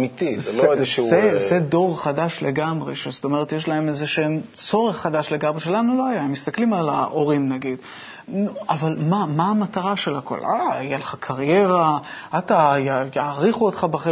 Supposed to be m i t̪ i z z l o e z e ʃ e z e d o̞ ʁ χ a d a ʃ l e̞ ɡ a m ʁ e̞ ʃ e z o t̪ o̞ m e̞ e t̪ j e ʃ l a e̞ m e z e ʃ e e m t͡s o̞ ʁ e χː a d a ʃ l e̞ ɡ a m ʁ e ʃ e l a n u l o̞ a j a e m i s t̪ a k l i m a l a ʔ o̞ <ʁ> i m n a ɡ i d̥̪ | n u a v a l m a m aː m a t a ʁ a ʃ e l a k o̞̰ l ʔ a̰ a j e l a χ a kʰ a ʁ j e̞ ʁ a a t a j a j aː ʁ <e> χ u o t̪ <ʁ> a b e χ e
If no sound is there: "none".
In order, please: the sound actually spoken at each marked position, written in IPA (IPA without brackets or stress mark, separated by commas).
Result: ʁ, i, χ